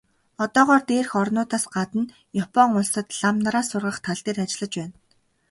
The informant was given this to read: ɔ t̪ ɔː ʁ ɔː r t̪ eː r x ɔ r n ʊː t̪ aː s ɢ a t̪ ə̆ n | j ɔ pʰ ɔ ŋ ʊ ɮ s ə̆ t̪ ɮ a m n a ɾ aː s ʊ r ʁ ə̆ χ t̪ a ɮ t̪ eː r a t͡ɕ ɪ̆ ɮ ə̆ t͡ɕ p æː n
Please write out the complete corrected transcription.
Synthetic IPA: ɔ t̪ ɔː ʁ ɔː r t̪ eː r x ɔ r n ʊː t̪ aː s ɢ a t̪ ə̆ n | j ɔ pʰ ɔ ŋ ʊ ɮ s ə̆ t̪ ɮ a m n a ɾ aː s ʊ r ʁ ə̆ χ t̪ʰ a ɮ t̪ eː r a t͡ɕ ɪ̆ ɮ ə̆ t͡ɕ p æː n